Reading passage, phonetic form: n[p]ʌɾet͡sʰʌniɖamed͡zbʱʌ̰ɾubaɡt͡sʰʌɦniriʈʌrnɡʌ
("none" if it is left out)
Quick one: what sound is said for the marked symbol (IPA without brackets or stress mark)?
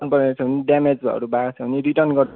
p